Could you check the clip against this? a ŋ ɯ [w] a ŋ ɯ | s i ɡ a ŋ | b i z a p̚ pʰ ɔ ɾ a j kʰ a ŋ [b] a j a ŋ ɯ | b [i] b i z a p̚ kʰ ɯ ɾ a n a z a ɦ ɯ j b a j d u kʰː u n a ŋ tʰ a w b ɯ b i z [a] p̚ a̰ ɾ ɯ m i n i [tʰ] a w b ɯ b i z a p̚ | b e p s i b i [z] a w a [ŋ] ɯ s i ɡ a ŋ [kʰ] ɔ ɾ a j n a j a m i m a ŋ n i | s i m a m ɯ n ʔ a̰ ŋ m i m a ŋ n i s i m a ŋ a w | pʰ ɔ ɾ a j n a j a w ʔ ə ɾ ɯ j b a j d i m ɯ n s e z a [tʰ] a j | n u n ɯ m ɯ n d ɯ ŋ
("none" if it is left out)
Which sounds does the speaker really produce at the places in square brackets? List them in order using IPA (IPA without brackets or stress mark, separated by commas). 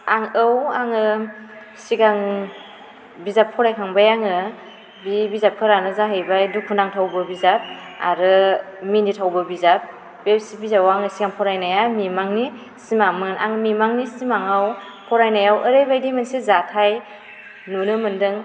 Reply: w, b, i, a, tʰ, z, ŋ, pʰ, tʰ